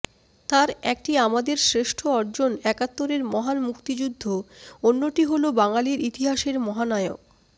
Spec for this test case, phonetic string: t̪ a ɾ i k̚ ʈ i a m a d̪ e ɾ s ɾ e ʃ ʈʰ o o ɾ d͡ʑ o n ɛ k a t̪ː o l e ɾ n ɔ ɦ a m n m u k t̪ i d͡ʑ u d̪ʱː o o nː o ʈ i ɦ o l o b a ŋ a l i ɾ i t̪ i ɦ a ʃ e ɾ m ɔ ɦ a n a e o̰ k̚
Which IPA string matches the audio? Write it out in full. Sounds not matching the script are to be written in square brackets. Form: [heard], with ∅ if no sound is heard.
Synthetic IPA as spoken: t̪ a ɾ [ɛ] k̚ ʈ i a m a d̪ e ɾ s ɾ e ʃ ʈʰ o [ɔ] ɾ d͡ʑ o n ɛ k a t̪ː o [ɾ] e ɾ [m] ɔ ɦ a [∅] n m u k t̪ i d͡ʑ u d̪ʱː o o nː o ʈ i ɦ o l o b a ŋ a l i ɾ i t̪ i ɦ a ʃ e ɾ m ɔ ɦ a n a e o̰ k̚